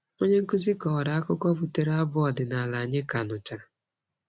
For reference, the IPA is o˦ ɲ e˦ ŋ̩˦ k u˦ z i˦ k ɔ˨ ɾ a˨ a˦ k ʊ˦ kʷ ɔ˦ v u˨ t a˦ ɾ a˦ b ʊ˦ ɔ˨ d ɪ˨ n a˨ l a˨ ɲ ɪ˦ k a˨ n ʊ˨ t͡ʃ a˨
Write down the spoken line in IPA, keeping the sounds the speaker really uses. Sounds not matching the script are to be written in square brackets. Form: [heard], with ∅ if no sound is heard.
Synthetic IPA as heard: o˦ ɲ e˦ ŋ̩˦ k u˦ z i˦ k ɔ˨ ɾ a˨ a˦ k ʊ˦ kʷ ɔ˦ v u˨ t [e˦] ɾ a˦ b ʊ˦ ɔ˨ d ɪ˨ n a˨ l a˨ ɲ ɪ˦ k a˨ n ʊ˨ t͡ʃ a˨